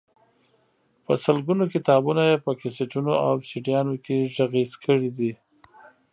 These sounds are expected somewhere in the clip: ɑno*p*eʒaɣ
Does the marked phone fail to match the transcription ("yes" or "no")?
yes